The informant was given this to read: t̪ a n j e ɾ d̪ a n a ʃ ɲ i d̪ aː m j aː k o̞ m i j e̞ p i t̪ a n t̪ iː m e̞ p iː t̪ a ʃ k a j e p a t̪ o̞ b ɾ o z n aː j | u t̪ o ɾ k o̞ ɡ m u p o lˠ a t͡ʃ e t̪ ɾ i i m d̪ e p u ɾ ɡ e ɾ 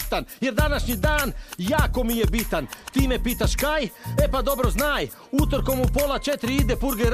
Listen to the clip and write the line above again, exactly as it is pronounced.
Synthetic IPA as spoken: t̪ a n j e ɾ d̪ a n a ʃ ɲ i d̪ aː n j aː k o̞ m i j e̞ b i t̪ a n t̪ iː m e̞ p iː t̪ a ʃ k a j e p a d̪ o̞ b ɾ o z n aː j | u t̪ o ɾ k o̞ m u p o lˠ a t͡ʃ e t̪ ɾ i i d̪ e p u ɾ ɡ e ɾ